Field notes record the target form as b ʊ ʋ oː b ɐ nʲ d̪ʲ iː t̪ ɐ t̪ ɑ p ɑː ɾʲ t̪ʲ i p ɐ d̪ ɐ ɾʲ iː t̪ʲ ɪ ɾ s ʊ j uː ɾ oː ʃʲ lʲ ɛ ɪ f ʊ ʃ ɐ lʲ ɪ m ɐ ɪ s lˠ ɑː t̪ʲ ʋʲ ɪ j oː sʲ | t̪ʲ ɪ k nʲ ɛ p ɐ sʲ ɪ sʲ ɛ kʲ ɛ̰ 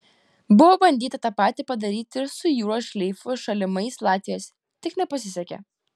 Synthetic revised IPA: b ʊ ʋ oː b ɐ nʲ d̪ʲ iː t̪ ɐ t̪ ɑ p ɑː t̪ʲ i p ɐ d̪ ɐ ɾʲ iː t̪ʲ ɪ ɾ s ʊ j uː ɾ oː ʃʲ lʲ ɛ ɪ f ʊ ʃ ɐ lʲ ɪ m ɐ ɪ s lˠ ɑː t̪ʲ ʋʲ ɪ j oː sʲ | t̪ʲ ɪ k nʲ ɛ p ɐ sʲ ɪ sʲ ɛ kʲ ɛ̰